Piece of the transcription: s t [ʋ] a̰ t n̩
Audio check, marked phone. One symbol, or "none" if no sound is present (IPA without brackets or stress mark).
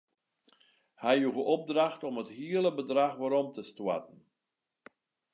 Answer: w